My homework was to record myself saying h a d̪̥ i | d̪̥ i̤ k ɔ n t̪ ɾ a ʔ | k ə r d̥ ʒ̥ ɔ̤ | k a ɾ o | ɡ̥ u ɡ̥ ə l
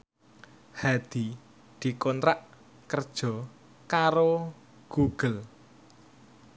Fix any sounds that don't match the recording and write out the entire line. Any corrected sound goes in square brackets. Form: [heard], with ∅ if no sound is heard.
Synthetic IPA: h a d̪̥ i | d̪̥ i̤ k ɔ n t̪ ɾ a ʔ | k ə r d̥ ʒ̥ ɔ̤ | k a ɾ o | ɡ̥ u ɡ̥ ə l